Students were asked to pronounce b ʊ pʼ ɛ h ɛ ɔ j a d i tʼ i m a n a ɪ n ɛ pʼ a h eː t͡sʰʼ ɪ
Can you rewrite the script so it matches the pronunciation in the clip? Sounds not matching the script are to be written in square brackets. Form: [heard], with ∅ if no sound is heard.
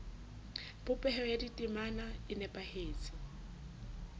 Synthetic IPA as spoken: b ʊ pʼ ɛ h ɛ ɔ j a d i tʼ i m a n a ɪ n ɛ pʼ a h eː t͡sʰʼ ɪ